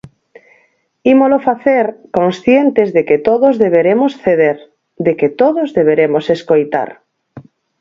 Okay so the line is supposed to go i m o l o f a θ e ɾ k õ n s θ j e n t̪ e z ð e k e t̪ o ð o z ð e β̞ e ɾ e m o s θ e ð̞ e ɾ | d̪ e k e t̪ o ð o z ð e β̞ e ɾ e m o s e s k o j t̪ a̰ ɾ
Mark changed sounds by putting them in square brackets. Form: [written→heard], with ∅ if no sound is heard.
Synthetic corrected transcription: i m o l o f a θ e ɾ k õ n s θ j e n t̪ e z ð e k e t̪ o ð o z ð e β̞ e ɾ e m o s θ e ð̞ e ɾ | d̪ e k e t̪ o ð o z ð e β̞ e ɾ e m o s e s k o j t̪ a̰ ɾ